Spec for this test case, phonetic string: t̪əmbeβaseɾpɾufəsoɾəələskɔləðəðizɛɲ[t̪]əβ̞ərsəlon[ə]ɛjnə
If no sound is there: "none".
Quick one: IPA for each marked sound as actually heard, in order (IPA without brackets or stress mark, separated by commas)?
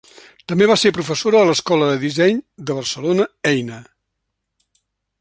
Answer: d̪, ə